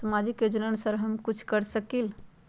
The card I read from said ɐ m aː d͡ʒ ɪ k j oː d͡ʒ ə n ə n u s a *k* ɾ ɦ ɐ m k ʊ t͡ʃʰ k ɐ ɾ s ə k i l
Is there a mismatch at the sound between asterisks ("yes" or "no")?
yes